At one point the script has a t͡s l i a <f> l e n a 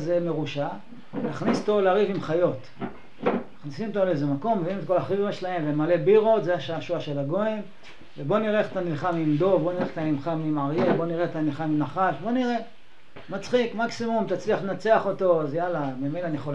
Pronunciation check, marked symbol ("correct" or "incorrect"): incorrect